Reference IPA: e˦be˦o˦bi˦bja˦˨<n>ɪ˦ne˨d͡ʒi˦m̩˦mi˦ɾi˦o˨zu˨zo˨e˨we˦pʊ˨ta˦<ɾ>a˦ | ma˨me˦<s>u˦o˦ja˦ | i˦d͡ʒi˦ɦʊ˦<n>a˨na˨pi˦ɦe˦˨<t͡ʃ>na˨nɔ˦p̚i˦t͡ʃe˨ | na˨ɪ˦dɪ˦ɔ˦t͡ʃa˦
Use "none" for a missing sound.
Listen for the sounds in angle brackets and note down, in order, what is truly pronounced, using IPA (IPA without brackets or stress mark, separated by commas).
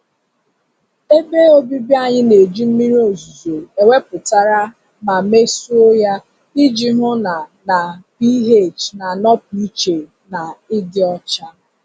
ɲ, ɾ, s, n, t͡ʃ